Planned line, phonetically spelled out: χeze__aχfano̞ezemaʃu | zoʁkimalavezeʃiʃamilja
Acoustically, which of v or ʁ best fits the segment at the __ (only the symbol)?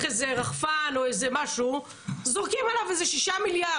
ʁ